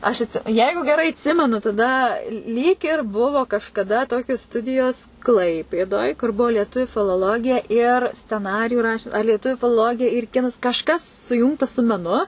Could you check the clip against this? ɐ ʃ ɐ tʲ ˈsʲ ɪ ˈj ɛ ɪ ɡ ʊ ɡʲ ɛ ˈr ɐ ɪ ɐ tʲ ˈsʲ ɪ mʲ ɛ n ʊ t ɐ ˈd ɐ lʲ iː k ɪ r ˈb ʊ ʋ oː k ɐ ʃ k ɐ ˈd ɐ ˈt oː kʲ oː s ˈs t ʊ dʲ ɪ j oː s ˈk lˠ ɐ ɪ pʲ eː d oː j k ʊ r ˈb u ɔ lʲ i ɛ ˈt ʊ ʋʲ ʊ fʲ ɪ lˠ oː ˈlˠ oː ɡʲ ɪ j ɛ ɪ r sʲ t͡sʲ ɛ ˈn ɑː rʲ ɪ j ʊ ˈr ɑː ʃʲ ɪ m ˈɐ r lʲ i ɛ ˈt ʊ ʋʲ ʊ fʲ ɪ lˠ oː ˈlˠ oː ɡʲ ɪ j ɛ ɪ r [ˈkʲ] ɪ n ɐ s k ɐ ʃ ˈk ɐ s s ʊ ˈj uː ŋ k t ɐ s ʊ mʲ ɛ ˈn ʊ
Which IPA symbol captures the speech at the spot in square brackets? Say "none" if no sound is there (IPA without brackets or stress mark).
kʲ